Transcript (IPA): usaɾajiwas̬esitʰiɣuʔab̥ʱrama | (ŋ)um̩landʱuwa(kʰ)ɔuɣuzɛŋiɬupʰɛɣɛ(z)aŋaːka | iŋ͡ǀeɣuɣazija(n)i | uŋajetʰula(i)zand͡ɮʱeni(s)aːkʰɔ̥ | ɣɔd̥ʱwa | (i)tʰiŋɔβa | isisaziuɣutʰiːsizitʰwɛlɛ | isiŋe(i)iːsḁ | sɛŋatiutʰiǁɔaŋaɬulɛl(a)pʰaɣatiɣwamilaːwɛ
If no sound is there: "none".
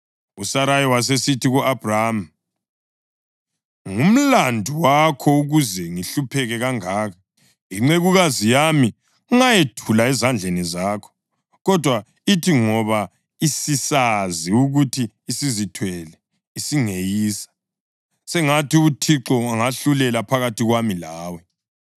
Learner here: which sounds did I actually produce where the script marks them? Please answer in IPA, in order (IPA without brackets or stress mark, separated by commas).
ŋ, kʰ, ɣ, m, ɛ, z, i, j, a